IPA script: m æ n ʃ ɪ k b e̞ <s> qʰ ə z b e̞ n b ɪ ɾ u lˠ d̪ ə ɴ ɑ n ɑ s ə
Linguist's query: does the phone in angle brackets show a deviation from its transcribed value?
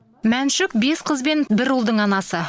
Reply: no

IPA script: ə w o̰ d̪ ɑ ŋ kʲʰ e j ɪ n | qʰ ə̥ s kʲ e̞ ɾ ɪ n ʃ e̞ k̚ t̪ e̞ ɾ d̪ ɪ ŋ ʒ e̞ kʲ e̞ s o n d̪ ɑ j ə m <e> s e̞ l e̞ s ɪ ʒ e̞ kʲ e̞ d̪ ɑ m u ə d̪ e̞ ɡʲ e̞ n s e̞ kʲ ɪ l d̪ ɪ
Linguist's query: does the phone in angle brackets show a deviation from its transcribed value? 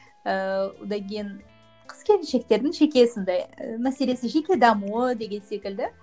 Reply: yes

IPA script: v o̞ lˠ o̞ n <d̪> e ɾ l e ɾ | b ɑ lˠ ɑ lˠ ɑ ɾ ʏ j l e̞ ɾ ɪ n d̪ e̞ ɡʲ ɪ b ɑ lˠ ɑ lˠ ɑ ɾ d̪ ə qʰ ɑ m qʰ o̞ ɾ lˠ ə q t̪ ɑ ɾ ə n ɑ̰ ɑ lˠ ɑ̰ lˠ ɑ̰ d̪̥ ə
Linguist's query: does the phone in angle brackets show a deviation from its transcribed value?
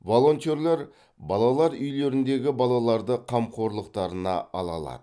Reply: yes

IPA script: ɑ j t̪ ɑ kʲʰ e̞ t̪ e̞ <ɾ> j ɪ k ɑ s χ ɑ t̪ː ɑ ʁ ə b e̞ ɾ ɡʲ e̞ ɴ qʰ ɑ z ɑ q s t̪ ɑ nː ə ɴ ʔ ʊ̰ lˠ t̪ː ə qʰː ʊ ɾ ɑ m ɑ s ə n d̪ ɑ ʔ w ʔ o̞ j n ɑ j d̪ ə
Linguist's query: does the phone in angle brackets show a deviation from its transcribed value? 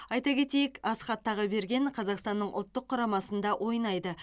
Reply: yes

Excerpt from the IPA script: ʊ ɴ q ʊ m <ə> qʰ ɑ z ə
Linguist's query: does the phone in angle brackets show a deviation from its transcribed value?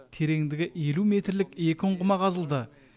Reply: yes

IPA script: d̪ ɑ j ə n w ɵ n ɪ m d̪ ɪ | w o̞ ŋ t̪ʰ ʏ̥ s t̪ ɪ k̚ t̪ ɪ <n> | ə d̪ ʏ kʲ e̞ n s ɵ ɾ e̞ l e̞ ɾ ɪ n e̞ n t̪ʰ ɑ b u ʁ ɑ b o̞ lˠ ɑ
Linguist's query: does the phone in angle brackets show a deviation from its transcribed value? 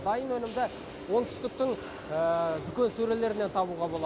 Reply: yes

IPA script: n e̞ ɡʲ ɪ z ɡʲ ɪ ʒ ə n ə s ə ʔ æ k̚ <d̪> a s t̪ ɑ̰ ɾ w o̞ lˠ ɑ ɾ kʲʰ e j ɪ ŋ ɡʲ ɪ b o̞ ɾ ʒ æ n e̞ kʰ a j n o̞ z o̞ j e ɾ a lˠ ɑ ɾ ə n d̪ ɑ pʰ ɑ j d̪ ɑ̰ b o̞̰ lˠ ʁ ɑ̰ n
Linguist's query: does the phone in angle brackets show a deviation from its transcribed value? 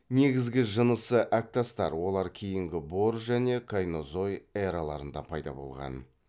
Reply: yes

